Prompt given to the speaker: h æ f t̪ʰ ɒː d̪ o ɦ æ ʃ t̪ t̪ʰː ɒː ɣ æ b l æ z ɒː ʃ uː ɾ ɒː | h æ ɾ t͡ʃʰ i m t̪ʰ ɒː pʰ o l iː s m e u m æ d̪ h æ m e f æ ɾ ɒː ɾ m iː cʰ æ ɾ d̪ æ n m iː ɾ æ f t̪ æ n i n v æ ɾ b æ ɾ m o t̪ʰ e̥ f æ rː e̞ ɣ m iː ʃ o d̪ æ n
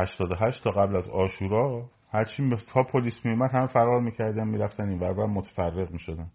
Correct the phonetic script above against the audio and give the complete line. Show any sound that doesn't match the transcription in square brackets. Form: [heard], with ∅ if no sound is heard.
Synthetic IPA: h æ [ʃ] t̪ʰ ɒː d̪ o ɦ æ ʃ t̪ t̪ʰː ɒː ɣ æ b l æ z ɒː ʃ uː ɾ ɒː | h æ ɾ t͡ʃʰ i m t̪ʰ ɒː pʰ o l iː s m [i] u m æ d̪ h æ m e f æ ɾ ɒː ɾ m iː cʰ æ ɾ d̪ æ n m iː ɾ æ f t̪ æ n i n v æ ɾ b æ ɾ m o t̪ʰ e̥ f æ rː e̞ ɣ m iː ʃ o d̪ æ n